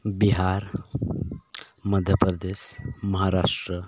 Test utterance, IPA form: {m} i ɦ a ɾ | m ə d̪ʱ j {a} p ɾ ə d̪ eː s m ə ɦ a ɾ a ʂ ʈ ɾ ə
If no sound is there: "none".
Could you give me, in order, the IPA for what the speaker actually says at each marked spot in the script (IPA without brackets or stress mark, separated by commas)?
b, ə